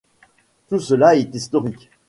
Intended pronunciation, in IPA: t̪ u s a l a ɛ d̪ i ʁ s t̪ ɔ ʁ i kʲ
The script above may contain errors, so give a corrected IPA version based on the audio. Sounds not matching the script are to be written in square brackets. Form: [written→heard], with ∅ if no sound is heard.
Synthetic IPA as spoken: t̪ u s [a→ə] l a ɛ [d̪→t̪] i [ʁ→∅] s t̪ ɔ ʁ i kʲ